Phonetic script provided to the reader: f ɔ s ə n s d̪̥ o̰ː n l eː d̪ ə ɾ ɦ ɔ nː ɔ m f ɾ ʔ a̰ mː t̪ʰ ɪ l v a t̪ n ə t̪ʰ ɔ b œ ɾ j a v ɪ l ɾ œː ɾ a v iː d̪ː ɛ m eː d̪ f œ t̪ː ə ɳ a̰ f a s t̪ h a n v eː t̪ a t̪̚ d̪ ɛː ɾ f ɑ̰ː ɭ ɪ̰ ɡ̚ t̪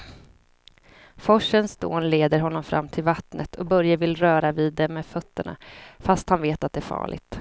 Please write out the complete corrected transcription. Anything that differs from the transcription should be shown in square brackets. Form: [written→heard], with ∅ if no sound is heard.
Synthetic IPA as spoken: f ɔ [s→ʂ] ə n s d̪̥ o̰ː n l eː d̪ ə ɾ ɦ ɔ nː ɔ m f ɾ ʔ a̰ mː t̪ʰ ɪ l v a t̪ n ə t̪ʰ ɔ b œ ɾ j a v ɪ l ɾ œː ɾ a v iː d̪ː ɛ m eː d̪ f œ t̪ː ə ɳ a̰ f a s t̪ h a n v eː t̪ a t̪̚ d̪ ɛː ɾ f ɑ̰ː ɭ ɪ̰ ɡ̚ t̪

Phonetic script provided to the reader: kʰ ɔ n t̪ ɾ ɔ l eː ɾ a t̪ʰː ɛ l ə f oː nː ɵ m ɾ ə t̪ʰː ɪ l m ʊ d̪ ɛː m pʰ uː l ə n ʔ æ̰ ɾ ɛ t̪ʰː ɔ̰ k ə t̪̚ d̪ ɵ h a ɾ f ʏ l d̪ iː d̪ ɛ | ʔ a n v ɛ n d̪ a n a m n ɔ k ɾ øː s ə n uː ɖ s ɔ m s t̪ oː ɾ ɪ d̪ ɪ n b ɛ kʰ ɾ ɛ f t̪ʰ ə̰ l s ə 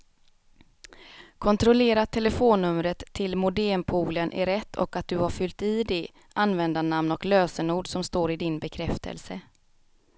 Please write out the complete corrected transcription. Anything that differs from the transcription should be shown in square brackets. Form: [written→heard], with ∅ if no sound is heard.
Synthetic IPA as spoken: kʰ ɔ n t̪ ɾ ɔ l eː ɾ a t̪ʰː ɛ l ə f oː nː ɵ m ɾ ə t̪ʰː ɪ l m ʊ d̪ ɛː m pʰ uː l ə n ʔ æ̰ ɾ ɛ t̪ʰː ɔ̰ k [ə→a] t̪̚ d̪ ɵ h a ɾ f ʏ l [d̪→t̪] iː d̪ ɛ | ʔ a n v ɛ n d̪ a n a m n ɔ k [ɾ→l] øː s ə n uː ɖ s ɔ m s t̪ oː ɾ ɪ d̪ ɪ n b ɛ kʰ ɾ ɛ f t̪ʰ ə̰ l s ə

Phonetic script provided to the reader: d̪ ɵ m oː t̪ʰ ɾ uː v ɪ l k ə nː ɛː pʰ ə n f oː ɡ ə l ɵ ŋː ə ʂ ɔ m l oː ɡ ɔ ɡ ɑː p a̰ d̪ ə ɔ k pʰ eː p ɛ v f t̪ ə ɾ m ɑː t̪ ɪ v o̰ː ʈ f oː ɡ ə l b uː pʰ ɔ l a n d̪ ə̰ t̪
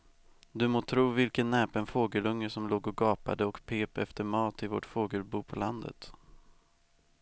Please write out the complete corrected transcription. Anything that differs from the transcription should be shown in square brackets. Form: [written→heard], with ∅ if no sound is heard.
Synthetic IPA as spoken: d̪ ɵ m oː t̪ʰ ɾ uː v ɪ l k ə nː ɛː [pʰ→p] ə n f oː ɡ ə l ɵ ŋː ə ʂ ɔ m l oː ɡ ɔ ɡ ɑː p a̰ d̪ ə ɔ k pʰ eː p ɛ [v→∅] f t̪ ə ɾ m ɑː t̪ ɪ v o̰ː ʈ f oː ɡ ə l b uː pʰ ɔ l a n d̪ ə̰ t̪

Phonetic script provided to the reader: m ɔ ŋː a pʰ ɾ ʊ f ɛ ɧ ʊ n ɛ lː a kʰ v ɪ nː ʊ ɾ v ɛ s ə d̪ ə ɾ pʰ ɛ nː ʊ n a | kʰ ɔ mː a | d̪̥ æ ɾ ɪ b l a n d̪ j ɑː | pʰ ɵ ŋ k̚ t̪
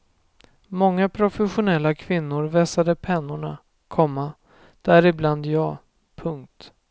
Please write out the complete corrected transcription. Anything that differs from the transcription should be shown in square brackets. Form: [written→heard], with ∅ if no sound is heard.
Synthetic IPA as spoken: m ɔ ŋː a pʰ ɾ ʊ f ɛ ɧ ʊ n ɛ lː a kʰ v ɪ nː ʊ ɾ v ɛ s [ə→a] d̪ ə [ɾ→∅] pʰ ɛ nː ʊ [n→ɳ] a | kʰ ɔ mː a | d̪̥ æ ɾ ɪ b l a n d̪ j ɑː | pʰ ɵ ŋ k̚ t̪

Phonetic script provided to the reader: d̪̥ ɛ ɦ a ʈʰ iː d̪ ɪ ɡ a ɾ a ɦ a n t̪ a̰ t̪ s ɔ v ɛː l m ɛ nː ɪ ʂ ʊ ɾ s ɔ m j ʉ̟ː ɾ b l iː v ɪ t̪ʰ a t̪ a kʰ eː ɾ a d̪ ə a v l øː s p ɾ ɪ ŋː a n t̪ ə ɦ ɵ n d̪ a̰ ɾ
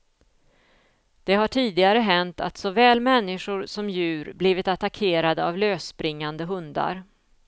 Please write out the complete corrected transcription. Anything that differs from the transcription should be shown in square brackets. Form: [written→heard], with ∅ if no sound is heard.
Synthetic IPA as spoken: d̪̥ ɛ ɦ a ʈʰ iː d̪ ɪ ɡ a ɾ [a→ə] ɦ [a→ɛ] n t̪ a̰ t̪ s ɔ v ɛː l m ɛ nː ɪ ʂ ʊ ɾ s ɔ m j ʉ̟ː ɾ b l iː v ɪ [t̪ʰ→t̪] a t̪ a kʰ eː ɾ a d̪ ə a v l øː s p ɾ ɪ ŋː a n [t̪→d̪] ə ɦ ɵ n d̪ a̰ ɾ

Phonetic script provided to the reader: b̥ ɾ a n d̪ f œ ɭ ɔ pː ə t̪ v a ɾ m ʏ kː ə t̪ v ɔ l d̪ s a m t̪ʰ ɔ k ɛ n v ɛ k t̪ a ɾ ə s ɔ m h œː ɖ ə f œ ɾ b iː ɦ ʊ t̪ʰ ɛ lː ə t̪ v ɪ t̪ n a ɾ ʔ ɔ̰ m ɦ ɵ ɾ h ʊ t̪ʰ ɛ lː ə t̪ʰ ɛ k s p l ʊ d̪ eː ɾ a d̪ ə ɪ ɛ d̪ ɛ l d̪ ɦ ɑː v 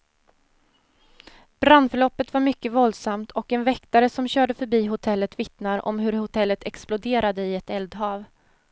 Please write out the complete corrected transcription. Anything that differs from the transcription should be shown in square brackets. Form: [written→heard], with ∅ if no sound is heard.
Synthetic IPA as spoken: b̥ ɾ a n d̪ f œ ɭ ɔ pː ə t̪ v a ɾ m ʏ kː ə [t̪→∅] v ɔ l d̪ s a m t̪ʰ ɔ k ɛ n v ɛ k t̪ a ɾ ə s ɔ m [h→ɕ] œː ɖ ə f œ ɾ b iː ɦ ʊ t̪ʰ ɛ lː ə t̪ v ɪ t̪ n a ɾ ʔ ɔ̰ m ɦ ɵ ɾ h ʊ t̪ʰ ɛ lː ə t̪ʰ ɛ k s p l ʊ d̪ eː ɾ a d̪ ə ɪ ɛ [d̪→t̪] ɛ l d̪ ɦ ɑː v

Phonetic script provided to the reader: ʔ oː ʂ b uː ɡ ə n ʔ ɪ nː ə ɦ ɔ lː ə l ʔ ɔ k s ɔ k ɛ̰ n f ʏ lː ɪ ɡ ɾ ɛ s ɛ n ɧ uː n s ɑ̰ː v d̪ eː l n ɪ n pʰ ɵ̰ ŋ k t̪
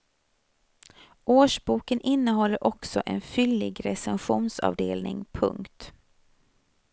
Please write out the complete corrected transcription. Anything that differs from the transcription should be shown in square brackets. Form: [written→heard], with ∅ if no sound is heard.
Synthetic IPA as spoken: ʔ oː ʂ b uː [ɡ→k] ə n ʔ ɪ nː ə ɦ ɔ lː ə [l→ɾ] ʔ ɔ k s ɔ [k→ʔ] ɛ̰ n f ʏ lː ɪ ɡ ɾ ɛ s ɛ n ɧ uː n s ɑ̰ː v d̪ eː l n ɪ [n→ŋ] pʰ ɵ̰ ŋ k t̪

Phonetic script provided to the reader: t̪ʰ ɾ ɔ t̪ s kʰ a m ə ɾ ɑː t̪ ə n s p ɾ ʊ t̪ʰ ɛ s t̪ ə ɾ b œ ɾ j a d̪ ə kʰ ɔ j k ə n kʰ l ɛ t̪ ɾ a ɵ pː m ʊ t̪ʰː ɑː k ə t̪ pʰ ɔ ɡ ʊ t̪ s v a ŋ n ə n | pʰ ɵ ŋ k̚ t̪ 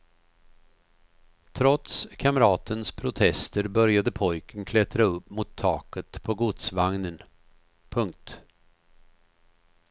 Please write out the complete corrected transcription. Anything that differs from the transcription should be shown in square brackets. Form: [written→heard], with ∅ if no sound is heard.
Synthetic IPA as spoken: t̪ʰ ɾ ɔ t̪ s kʰ a m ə ɾ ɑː t̪ ə n s [p→pʰ] ɾ ʊ t̪ʰ ɛ s t̪ ə ɾ b œ ɾ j a d̪ ə [kʰ→pʰ] ɔ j k ə n kʰ l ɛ t̪ ɾ a ɵ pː m ʊ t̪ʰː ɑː k ə t̪ pʰ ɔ ɡ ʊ t̪ s v a ŋ n ə n | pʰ ɵ ŋ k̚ t̪

